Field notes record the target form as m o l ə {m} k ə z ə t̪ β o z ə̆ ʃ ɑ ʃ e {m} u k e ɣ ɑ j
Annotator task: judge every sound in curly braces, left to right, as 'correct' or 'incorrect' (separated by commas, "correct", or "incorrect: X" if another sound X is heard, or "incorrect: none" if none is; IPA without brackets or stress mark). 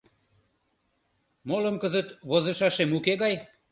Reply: correct, correct